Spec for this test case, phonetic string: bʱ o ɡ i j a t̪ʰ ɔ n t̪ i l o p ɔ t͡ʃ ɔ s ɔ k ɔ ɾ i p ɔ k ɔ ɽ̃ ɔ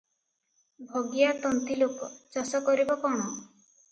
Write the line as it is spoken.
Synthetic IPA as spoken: bʱ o ɡ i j a t̪ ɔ n t̪ i l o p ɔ t͡ʃ ɔ s ɔ k ɔ ɾ i b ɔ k ɔ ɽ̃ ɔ